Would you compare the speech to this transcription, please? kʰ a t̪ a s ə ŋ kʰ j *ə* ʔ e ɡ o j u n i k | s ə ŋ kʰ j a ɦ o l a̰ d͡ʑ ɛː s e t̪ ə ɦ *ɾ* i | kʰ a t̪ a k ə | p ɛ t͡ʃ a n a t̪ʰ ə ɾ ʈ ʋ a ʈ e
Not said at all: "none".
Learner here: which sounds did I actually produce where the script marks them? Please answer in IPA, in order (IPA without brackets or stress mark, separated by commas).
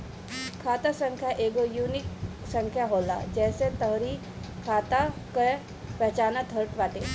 a, ɾ